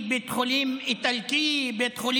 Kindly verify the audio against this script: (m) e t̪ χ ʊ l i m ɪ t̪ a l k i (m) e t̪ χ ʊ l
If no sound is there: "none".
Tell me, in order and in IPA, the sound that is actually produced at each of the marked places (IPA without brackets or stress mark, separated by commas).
b, b